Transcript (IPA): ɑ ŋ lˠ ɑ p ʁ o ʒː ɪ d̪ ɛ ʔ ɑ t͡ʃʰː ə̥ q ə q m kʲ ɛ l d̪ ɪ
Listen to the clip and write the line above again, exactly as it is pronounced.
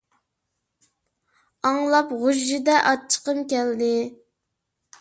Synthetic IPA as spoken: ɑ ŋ lˠ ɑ p ʁ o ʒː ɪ d̪ ɛ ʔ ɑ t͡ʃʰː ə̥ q ə m kʲ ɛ l d̪ ɪ